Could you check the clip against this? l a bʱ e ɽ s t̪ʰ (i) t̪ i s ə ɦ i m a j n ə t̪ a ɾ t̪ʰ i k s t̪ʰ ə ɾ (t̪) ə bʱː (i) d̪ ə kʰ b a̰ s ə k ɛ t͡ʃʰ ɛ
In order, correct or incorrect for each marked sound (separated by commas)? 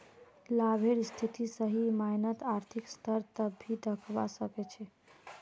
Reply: correct, correct, correct